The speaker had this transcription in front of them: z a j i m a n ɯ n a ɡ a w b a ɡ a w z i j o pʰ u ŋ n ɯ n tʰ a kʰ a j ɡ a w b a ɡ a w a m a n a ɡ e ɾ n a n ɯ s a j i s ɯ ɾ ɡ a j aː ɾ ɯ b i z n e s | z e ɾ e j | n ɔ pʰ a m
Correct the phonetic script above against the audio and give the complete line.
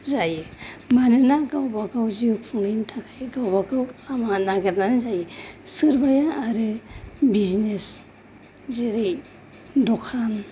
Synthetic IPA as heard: z a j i m a n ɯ n a ɡ a w b a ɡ a w z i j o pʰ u ŋ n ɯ n tʰ a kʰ a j ɡ a w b a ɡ a w a m a n a ɡ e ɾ n a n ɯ z a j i s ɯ ɾ b a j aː ɾ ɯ b i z n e s | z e ɾ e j | d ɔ kʰ a n